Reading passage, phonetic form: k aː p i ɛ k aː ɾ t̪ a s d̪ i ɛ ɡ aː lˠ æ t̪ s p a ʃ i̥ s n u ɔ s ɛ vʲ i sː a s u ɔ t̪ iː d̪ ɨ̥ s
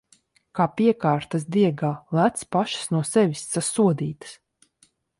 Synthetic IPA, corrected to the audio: k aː p i ɛ k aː ɾ t̪ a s d̪ i ɛ ɡ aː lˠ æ t̪ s p a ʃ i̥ s n u ɔ s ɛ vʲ i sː a s u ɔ d̪ iː t̪ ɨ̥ s